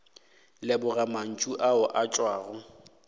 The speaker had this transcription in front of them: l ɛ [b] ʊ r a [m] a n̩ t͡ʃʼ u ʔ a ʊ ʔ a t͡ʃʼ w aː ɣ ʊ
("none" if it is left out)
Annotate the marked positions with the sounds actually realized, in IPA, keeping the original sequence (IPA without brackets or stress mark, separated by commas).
b, m